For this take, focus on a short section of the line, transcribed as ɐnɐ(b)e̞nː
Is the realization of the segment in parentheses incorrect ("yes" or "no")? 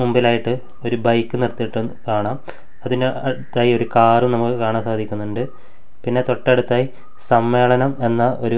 yes